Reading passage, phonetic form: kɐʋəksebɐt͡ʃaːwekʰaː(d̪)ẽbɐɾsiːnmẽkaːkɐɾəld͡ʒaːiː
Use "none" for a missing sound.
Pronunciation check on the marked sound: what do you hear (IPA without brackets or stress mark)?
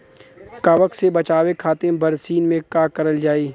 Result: t̪